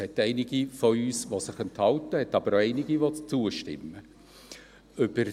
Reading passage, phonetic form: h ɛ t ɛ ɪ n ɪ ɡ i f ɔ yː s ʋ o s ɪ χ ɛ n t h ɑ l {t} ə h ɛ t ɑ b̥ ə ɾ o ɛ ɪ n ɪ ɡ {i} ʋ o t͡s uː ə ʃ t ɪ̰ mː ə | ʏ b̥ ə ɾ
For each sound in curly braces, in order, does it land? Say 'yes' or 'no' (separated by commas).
yes, yes